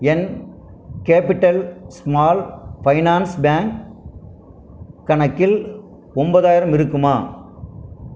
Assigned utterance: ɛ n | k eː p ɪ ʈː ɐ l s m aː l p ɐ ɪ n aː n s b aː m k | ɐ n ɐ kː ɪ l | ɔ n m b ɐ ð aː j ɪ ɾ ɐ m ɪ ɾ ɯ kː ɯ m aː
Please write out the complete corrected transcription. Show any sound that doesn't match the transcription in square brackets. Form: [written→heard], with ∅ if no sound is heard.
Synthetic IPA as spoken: ɛ n | k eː p ɪ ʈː ɐ l s m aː l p ɐ ɪ n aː n s b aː [m→ŋ] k | ɐ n ɐ kː ɪ l | ɔ [n→∅] m b ɐ ð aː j ɪ ɾ ɐ m ɪ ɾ ɯ kː ɯ m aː